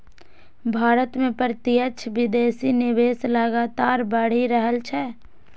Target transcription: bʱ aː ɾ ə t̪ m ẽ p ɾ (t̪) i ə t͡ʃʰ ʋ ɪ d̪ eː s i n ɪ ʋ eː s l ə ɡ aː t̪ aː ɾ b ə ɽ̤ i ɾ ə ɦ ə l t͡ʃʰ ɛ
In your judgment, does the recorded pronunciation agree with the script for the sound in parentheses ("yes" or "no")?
yes